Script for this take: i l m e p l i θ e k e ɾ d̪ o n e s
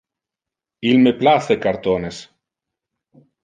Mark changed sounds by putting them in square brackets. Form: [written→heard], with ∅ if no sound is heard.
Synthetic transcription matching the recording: i l m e p l [i→a] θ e k [e→a] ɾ [d̪→t̪] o n e s